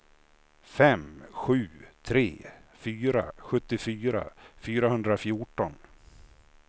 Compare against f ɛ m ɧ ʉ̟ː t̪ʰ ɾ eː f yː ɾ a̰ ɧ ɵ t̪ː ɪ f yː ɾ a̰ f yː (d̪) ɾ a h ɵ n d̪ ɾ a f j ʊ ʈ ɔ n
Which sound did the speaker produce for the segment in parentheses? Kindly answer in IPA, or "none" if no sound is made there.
none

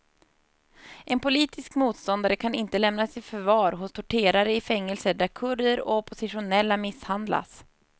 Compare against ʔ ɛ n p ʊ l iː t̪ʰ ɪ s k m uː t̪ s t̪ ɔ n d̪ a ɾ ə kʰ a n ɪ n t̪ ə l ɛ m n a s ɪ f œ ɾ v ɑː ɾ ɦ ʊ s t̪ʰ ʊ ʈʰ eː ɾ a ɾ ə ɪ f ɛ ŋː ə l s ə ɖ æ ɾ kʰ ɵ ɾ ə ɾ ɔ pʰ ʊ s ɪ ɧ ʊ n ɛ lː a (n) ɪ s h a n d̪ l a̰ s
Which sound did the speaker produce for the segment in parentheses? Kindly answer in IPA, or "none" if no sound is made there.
m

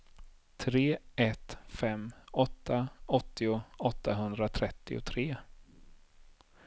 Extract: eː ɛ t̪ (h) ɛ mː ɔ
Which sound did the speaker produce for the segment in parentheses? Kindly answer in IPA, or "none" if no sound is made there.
f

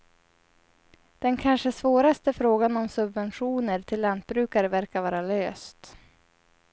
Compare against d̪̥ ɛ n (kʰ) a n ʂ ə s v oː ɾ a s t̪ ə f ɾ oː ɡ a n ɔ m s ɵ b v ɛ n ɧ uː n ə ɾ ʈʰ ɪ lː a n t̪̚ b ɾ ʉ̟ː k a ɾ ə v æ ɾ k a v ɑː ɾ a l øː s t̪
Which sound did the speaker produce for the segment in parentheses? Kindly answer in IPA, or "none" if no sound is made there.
kʰ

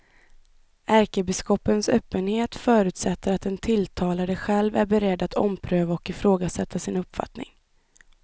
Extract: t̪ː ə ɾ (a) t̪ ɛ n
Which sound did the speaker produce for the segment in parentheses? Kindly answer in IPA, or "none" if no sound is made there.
a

